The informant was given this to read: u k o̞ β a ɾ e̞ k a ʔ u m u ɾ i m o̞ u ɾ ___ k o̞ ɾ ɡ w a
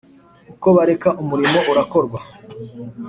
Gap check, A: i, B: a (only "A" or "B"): B